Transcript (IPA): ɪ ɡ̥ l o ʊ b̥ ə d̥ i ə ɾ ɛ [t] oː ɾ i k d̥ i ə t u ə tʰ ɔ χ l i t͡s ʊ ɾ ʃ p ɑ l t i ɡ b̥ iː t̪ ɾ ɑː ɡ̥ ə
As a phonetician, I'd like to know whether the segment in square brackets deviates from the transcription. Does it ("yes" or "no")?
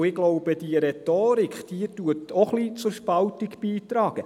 no